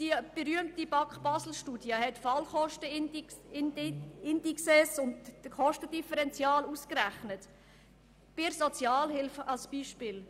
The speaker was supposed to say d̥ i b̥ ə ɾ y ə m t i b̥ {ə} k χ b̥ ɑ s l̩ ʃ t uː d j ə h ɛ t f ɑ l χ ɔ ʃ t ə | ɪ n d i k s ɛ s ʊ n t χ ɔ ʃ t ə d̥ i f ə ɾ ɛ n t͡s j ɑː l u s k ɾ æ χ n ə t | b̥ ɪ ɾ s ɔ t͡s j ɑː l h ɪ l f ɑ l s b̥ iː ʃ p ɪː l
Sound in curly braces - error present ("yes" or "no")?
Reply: yes